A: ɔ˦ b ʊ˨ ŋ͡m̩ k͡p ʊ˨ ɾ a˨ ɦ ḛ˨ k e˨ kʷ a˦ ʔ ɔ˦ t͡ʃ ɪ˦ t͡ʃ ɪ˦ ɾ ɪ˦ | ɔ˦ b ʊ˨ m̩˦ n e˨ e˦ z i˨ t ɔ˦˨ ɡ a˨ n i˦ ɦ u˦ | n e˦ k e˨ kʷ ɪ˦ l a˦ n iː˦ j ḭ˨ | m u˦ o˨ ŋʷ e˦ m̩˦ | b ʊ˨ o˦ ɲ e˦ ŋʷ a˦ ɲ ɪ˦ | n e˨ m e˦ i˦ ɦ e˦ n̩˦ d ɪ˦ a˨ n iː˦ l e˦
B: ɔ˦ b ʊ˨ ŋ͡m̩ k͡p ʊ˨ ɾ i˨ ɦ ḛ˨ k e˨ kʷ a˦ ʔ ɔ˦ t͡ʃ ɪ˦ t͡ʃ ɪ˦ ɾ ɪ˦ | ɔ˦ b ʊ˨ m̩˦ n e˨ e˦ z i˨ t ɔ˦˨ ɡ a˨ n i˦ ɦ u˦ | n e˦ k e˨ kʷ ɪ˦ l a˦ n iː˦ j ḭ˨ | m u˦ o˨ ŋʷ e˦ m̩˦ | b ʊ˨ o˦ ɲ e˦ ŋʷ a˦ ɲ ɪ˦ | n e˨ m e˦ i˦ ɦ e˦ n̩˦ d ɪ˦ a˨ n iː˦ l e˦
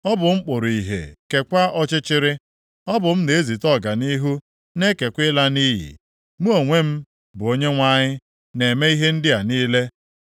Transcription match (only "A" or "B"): B